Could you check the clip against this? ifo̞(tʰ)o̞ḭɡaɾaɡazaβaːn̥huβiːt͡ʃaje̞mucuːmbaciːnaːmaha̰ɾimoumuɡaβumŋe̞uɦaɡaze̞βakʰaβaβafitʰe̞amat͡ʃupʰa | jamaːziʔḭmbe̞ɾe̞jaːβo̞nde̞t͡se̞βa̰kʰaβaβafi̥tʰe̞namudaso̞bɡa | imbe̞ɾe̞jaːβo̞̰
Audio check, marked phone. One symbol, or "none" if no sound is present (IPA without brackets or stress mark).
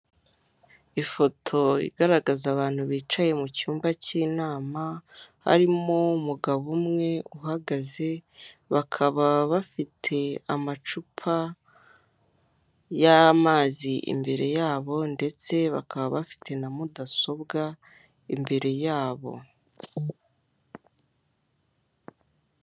tʰ